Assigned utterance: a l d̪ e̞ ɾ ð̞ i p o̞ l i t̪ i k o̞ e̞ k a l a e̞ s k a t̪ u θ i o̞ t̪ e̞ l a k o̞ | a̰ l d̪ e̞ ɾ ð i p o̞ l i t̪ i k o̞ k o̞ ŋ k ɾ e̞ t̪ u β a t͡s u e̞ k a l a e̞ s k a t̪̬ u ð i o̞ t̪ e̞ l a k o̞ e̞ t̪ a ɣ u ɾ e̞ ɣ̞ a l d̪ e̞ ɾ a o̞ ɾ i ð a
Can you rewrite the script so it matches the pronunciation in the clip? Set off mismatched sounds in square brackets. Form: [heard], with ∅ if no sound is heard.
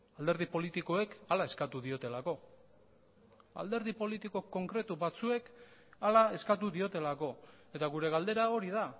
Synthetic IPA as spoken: a l d̪ e̞ ɾ ð̞ i p o̞ l i t̪ i k o̞ e̞ k a l a e̞ s k a t̪ u [ð] i o̞ t̪ e̞ l a k o̞ | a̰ l d̪ e̞ ɾ ð i p o̞ l i t̪ i k o̞ k o̞ ŋ k ɾ e̞ t̪ u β a t͡s u e̞ k a l a e̞ s k a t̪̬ u ð i o̞ t̪ e̞ l a k o̞ e̞ t̪ a ɣ u ɾ e̞ ɣ̞ a l d̪ e̞ ɾ a o̞ ɾ i ð a